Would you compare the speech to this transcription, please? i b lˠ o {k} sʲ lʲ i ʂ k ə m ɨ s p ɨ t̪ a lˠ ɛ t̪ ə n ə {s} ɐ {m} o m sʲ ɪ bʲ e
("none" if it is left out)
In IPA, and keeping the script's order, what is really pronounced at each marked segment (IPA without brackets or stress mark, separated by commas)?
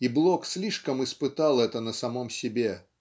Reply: k, s, m